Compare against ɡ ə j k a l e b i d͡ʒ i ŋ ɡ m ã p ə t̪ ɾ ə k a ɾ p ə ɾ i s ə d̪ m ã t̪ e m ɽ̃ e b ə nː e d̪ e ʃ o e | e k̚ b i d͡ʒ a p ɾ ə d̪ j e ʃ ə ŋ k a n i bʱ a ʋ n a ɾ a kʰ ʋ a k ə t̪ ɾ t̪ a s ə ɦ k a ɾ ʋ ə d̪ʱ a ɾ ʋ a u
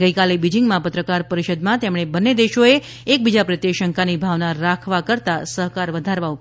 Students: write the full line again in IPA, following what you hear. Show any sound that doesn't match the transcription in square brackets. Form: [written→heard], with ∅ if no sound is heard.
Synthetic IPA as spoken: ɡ ə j k a l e b i d͡ʒ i ŋ ɡ m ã p ə t̪ ɾ ə k a ɾ p ə ɾ i [s→ʃ] ə d̪ m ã t̪ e m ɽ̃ e b ə nː e d̪ e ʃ o e | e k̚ b i d͡ʒ a p ɾ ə [d̪→t̪] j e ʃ ə ŋ k a n i bʱ a ʋ n a ɾ a kʰ ʋ a k ə [t̪→∅] ɾ t̪ a s ə ɦ k a ɾ ʋ ə d̪ʱ a ɾ ʋ a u